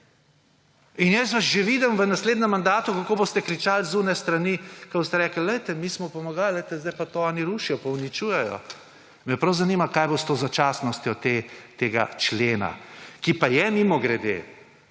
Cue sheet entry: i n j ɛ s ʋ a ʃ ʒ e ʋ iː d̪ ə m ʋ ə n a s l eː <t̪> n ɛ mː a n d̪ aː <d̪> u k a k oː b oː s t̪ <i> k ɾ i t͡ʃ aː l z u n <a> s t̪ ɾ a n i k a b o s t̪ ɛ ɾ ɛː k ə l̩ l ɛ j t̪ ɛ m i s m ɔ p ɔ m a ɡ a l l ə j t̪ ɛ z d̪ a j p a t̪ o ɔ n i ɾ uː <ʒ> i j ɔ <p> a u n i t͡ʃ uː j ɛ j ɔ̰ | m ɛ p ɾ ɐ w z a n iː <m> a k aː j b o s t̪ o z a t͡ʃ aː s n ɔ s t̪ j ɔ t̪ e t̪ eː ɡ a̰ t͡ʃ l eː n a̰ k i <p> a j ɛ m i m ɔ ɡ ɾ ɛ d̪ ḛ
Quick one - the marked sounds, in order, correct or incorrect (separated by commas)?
incorrect, incorrect, incorrect, incorrect, incorrect, correct, correct, correct